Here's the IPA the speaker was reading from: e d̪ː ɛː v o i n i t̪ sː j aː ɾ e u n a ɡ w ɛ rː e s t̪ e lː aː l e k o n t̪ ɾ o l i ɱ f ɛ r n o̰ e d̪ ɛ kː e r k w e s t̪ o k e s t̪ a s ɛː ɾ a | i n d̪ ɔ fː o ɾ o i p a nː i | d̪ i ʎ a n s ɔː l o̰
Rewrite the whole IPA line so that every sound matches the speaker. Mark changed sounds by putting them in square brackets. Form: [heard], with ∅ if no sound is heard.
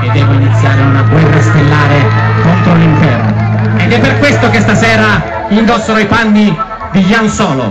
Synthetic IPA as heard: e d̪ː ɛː v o i n i t̪ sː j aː ɾ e u n a ɡ w ɛ rː [a] s t̪ e lː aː [ɾ] e k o n t̪ ɾ o l i ɱ f ɛ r n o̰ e d̪ ɛ [pː] e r k w e s t̪ o k e s t̪ a s ɛː ɾ a | i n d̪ ɔ [sː] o ɾ o i p a nː i | d̪ i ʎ a n s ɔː l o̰